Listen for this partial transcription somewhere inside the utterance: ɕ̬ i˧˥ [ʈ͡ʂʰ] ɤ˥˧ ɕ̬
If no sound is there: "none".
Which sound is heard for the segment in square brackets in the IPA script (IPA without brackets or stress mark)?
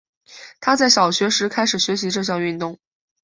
ʈ͡ʂ